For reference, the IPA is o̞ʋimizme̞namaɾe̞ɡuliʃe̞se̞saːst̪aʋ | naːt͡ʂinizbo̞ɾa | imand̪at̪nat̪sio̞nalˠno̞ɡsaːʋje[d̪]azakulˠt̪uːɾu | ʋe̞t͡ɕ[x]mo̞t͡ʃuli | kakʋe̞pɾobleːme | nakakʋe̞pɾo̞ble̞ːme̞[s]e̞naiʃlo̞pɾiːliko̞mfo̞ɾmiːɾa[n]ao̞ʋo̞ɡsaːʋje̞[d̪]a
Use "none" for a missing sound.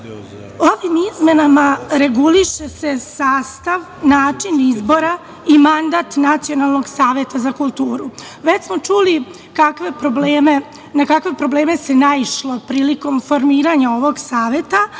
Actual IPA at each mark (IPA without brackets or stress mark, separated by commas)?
t̪, s, s, ɲ, t̪